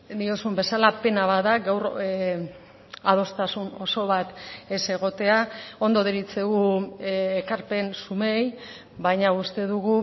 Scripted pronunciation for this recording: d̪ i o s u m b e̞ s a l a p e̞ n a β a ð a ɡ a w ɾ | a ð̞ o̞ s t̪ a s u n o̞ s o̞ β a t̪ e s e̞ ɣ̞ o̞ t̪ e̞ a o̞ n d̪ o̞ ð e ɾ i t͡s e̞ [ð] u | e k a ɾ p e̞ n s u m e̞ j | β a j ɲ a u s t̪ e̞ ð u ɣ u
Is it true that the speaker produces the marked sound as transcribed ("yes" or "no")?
no